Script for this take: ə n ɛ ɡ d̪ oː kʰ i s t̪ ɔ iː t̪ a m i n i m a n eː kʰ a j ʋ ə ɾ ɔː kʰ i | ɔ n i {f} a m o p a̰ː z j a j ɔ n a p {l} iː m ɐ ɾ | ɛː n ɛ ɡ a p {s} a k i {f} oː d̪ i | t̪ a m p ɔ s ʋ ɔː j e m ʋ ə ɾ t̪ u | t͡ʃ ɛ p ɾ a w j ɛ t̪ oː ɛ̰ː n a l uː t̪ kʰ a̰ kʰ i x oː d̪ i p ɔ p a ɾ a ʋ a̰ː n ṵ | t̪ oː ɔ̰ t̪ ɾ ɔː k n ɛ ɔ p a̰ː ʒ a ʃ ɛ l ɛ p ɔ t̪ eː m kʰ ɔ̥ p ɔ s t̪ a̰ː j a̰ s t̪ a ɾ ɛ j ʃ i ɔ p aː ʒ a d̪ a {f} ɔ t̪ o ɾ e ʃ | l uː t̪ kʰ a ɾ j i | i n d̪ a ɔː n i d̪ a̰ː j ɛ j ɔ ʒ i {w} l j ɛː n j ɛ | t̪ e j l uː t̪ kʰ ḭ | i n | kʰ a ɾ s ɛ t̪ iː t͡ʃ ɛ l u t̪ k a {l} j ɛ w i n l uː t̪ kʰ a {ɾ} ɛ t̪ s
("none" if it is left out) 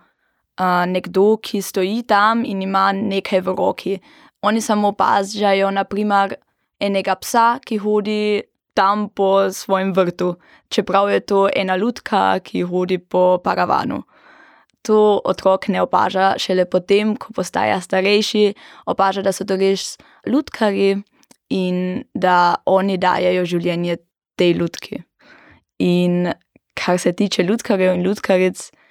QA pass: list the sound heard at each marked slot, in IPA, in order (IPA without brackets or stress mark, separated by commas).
s, ɾ, s, x, s, w, ɾ, ɾ